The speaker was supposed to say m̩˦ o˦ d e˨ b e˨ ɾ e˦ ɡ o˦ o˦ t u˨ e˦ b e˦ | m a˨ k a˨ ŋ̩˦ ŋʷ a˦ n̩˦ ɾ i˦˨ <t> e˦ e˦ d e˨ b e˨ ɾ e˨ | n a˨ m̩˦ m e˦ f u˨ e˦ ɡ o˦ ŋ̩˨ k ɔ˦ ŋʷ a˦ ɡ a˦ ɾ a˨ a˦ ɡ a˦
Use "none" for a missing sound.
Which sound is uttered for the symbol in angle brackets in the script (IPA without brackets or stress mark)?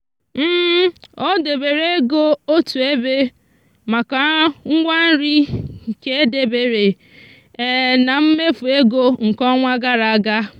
k